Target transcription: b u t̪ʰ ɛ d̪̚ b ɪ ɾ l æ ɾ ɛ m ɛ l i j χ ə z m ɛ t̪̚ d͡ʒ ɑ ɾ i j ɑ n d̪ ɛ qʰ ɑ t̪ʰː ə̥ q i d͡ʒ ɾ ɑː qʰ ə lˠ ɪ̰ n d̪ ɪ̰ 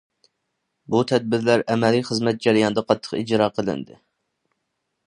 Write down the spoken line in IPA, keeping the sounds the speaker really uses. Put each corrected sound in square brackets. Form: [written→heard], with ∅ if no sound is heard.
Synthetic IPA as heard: b u t̪ʰ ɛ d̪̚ b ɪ ɾ l æ ɾ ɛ m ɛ l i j χ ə z m ɛ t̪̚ d͡ʒ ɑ ɾ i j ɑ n d̪ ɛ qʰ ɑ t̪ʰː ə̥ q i d͡ʒ ɾ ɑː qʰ ə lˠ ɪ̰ n d̪ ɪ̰